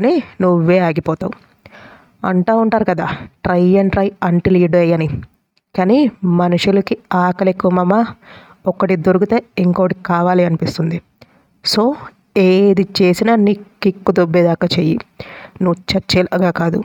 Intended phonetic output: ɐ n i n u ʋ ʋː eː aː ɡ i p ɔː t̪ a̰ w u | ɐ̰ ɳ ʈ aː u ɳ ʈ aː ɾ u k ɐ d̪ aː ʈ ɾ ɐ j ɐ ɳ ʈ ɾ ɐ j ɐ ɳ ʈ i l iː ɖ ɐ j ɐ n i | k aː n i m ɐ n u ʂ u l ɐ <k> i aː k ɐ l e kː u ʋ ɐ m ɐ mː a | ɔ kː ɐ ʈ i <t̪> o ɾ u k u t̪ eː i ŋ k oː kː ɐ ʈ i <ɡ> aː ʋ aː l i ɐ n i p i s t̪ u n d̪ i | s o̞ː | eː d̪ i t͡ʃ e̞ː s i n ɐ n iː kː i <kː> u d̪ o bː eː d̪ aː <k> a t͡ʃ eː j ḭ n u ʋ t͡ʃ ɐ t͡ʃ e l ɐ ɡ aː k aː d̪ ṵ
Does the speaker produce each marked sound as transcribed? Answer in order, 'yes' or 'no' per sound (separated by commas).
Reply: yes, no, no, yes, yes